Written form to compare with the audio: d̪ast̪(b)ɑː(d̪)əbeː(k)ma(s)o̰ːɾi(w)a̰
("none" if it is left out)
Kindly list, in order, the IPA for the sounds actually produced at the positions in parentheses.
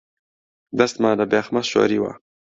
m, d̪, x, ʃ, w

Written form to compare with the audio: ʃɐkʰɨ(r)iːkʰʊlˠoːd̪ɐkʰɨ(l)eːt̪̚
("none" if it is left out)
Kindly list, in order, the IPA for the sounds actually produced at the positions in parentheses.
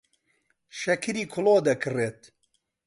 ɾ, r

